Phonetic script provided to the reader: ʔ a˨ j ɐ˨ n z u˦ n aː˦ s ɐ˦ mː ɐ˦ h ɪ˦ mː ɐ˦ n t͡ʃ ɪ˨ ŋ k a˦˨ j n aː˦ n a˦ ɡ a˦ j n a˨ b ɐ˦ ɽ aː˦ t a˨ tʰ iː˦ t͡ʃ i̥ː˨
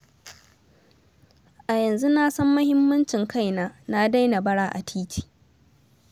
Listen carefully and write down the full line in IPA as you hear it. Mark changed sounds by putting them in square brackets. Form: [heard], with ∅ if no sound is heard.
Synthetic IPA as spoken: ʔ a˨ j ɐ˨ n z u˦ n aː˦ s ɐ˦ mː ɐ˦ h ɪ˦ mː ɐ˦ n t͡ʃ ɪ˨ ŋ k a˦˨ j n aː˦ n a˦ [d] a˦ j n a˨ b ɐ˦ ɽ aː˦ [ʔ] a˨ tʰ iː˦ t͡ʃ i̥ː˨